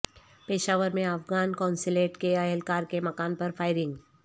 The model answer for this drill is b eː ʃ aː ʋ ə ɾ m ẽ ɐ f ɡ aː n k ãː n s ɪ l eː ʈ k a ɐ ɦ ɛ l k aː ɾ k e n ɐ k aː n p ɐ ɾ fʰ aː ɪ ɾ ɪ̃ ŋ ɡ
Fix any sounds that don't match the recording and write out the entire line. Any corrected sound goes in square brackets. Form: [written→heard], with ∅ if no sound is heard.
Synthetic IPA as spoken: [b→p] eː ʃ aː ʋ ə ɾ m ẽ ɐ f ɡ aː n k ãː n s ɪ l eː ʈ k [a→e] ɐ ɦ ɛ l k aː ɾ k e [n→m] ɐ k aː n p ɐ ɾ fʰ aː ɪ ɾ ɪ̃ ŋ ɡ